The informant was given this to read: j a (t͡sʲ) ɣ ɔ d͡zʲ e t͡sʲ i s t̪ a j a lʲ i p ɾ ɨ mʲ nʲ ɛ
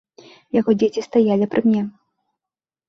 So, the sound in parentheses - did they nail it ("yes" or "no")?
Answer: no